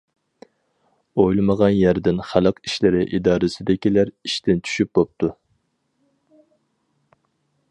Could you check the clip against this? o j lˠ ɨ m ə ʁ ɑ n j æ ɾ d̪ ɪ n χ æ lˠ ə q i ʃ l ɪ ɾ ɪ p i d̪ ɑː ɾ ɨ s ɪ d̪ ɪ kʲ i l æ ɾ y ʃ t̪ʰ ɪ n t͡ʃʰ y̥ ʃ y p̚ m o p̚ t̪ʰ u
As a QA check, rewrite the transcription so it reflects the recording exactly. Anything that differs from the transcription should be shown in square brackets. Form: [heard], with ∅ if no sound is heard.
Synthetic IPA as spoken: o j lˠ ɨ m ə ʁ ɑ n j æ ɾ d̪ ɪ n χ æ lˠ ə q i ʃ l ɪ ɾ ɪ [ʔ] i d̪ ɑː ɾ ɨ s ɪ d̪ ɪ kʲ i l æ ɾ [i] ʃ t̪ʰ ɪ n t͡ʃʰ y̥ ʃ y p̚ [b] o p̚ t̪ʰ u